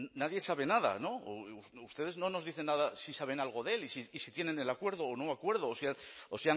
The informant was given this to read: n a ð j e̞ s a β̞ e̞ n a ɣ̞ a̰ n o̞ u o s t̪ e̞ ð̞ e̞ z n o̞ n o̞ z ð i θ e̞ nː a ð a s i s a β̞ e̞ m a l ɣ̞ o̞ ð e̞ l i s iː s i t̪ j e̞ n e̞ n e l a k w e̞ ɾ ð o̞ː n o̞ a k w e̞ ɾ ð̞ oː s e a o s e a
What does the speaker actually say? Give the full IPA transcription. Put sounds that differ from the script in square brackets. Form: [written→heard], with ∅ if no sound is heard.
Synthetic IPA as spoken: n a ð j e̞ s a β̞ e̞ n a [ɣ̞→ð̞] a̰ n o̞ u [o→u] s t̪ e̞ ð̞ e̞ z n o̞ n o̞ z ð i θ e̞ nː a ð a s i s a β̞ e̞ [m→n] a l ɣ̞ o̞ ð e̞ l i s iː s i t̪ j e̞ n e̞ n e l a k w e̞ ɾ ð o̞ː n o̞ a k w e̞ ɾ ð̞ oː s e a o s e a